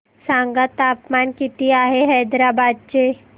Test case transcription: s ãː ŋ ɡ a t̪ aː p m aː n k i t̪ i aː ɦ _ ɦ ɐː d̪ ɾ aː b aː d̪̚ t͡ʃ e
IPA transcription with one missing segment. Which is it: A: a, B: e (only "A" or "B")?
B